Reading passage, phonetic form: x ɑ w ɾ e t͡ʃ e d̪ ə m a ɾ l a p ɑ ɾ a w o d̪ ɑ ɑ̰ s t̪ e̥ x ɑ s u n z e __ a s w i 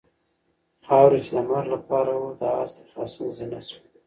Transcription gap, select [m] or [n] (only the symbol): n